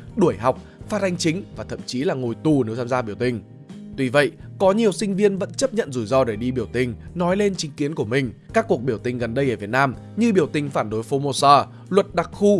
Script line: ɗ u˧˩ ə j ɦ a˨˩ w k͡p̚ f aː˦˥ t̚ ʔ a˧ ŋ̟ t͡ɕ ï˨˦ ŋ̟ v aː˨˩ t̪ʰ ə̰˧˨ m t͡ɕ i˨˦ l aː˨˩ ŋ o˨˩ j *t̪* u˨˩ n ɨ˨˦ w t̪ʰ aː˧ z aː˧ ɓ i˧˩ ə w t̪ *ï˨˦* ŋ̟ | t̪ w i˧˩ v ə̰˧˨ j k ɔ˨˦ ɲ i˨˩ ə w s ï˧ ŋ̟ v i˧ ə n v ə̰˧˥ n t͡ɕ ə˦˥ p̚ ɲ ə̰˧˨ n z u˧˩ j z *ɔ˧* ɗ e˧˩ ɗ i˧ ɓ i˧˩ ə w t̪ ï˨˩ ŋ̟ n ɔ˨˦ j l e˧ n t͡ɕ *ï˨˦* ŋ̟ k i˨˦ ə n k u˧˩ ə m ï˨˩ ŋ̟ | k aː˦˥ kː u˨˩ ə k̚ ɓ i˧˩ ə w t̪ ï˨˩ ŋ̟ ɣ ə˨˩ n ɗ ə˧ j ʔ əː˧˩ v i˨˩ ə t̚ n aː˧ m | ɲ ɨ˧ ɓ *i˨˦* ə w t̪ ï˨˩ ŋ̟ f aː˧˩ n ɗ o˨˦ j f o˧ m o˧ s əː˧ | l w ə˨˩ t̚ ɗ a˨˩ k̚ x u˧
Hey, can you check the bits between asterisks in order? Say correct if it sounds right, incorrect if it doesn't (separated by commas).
correct, incorrect, correct, correct, incorrect